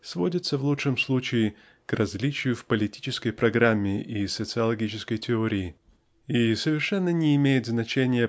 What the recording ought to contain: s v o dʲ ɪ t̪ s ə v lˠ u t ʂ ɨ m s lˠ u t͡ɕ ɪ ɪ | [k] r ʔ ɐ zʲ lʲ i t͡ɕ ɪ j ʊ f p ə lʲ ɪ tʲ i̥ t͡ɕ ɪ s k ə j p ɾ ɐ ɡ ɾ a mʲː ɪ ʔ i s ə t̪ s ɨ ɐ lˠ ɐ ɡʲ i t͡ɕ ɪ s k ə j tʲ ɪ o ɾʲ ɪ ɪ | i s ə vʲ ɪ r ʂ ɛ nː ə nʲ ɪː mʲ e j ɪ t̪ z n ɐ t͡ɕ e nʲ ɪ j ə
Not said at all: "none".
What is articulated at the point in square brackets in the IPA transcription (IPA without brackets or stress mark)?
k